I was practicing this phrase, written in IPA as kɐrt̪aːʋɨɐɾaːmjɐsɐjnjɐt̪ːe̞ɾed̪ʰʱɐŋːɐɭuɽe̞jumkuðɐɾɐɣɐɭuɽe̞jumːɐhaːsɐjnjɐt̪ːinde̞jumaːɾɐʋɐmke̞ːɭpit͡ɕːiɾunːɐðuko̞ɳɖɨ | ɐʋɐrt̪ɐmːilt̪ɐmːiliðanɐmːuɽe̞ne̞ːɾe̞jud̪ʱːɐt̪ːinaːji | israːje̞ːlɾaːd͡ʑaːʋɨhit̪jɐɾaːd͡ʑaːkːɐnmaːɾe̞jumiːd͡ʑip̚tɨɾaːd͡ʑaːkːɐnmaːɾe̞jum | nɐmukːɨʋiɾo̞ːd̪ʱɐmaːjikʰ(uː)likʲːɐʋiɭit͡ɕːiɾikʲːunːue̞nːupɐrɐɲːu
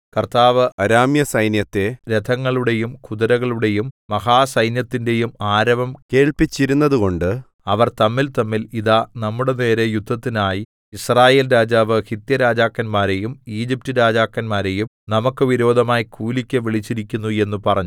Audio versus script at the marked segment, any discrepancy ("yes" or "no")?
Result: no